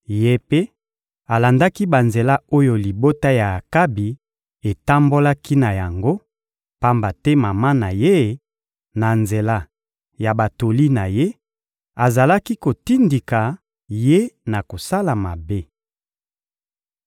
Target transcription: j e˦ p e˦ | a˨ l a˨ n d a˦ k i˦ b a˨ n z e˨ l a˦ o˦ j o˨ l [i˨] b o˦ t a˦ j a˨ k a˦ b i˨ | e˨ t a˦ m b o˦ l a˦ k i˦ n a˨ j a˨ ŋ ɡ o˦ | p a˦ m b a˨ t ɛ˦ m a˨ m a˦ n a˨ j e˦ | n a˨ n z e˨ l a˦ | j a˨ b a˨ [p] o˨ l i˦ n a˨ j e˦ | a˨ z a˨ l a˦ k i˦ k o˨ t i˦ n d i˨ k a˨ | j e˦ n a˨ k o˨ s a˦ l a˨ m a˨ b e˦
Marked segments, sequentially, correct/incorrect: correct, incorrect: t

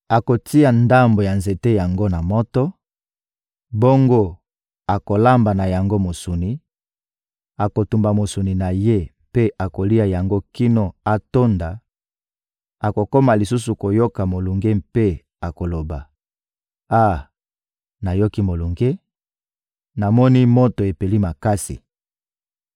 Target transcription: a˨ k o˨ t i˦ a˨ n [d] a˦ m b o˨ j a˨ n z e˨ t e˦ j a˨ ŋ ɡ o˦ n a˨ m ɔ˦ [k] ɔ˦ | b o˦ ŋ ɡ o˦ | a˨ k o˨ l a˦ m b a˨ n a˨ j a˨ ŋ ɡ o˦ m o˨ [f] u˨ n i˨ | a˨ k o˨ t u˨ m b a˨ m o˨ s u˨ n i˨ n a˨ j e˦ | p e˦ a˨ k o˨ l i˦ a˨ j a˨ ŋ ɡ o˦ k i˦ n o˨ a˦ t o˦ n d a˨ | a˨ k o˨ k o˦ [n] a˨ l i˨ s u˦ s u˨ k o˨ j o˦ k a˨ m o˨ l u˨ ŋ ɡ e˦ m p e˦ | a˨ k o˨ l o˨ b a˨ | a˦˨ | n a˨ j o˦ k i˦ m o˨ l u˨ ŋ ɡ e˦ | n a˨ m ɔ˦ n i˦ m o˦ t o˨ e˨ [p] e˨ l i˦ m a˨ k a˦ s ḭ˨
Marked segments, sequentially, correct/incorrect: correct, incorrect: t, incorrect: s, incorrect: m, correct

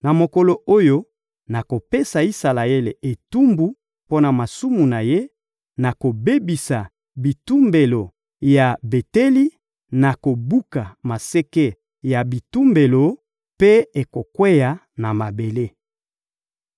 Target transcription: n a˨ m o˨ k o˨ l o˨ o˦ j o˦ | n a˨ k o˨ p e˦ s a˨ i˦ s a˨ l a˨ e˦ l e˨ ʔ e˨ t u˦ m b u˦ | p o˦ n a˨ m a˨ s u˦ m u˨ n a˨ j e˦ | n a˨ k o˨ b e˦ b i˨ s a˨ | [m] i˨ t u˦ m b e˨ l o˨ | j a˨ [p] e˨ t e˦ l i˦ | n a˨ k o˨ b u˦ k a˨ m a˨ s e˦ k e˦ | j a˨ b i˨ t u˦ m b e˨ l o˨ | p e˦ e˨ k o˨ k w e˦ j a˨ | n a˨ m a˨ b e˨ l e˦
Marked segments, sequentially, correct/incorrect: incorrect: b, incorrect: b

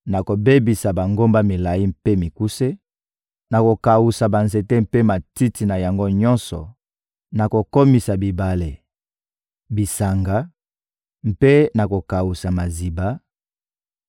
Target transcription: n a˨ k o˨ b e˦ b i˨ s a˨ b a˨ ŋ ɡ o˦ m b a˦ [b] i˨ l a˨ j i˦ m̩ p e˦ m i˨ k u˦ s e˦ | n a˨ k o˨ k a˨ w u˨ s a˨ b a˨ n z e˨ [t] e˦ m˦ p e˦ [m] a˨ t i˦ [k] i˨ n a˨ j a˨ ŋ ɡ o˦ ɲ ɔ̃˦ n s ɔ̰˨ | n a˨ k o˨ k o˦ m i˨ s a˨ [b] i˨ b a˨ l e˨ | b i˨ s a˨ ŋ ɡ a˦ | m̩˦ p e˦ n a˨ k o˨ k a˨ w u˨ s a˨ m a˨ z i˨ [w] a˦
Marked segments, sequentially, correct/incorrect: incorrect: m, correct, correct, incorrect: t, correct, incorrect: b

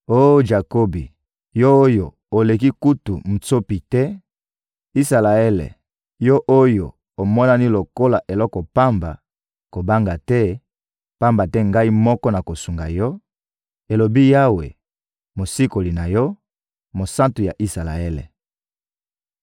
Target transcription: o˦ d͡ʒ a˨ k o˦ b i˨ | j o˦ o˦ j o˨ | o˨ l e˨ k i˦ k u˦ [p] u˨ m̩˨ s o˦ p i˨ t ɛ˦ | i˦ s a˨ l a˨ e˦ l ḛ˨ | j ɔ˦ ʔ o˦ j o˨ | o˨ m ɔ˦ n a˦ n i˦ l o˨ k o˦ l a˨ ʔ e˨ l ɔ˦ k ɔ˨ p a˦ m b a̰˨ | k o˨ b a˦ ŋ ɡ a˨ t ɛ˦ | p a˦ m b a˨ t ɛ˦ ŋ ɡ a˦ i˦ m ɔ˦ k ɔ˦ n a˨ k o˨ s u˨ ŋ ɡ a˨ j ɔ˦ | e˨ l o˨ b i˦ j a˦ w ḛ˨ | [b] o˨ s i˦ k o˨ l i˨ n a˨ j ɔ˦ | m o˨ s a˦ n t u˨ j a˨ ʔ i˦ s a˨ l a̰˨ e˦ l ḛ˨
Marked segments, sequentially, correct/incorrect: incorrect: t, incorrect: m

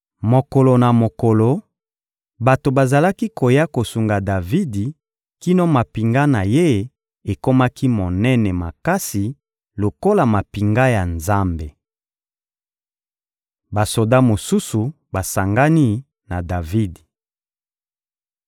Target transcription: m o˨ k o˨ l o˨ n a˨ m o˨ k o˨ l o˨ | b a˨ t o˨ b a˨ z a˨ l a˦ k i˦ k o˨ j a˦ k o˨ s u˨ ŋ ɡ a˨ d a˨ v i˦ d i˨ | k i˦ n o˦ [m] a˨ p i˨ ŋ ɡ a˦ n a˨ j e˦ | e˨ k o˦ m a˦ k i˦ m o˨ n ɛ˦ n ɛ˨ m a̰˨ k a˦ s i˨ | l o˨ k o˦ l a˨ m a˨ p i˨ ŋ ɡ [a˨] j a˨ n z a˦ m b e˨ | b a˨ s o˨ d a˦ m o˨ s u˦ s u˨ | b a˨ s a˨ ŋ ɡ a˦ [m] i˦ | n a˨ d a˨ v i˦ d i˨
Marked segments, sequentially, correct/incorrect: correct, incorrect: a˦, incorrect: n

